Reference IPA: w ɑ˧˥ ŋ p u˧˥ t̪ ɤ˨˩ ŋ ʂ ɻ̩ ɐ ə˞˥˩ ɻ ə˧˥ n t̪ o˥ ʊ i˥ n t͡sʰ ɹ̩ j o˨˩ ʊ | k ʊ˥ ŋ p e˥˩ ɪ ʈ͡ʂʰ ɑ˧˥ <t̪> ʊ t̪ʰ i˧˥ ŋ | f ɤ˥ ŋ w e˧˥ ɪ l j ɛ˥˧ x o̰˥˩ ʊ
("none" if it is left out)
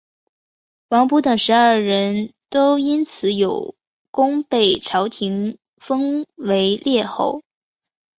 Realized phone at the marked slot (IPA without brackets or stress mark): none